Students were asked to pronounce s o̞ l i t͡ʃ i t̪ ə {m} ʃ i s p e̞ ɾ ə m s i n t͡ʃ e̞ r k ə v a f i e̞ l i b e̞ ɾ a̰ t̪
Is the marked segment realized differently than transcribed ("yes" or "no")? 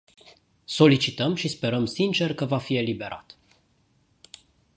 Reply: no